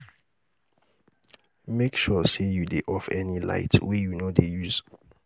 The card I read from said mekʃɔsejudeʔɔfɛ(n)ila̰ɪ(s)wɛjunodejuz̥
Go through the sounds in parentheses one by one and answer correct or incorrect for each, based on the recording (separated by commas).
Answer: correct, incorrect